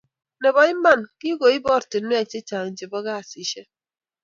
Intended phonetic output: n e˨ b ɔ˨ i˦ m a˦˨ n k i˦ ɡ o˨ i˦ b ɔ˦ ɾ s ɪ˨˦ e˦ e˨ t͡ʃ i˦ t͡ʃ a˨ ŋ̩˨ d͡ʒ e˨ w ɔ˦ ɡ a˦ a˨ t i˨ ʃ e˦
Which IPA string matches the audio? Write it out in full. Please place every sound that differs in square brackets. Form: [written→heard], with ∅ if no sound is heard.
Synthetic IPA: n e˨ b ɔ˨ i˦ m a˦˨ n k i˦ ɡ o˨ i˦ b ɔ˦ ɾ [s→t] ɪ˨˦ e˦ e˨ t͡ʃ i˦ t͡ʃ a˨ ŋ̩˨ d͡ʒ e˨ [w→b] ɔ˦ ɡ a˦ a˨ [t→s] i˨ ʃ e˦